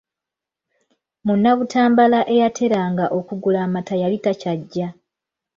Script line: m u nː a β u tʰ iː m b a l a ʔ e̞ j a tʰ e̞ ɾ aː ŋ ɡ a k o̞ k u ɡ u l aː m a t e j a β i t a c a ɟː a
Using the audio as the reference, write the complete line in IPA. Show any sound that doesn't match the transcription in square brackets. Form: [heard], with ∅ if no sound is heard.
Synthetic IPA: m u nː a β u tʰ [aː] m b a l a ʔ e̞ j a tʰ e̞ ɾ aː ŋ ɡ a [ʔ] o̞ k u ɡ u l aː m a t [a] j a β i t a c a ɟː a